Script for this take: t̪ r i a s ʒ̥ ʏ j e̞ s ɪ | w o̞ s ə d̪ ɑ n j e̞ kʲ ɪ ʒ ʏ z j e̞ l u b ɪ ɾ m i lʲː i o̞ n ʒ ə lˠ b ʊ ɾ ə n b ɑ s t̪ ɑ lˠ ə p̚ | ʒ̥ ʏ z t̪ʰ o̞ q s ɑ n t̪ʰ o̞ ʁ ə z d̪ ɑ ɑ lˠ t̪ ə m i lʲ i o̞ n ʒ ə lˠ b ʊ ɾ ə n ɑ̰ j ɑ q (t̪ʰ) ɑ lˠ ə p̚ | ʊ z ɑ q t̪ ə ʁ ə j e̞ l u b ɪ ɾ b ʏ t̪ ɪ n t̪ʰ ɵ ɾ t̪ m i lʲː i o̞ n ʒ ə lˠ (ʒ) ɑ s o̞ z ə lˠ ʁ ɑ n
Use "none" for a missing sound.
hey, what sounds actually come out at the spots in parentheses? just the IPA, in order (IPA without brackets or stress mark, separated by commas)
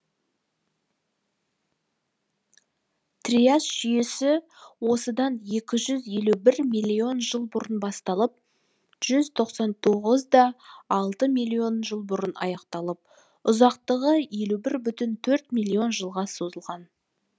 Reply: t̪, ʁ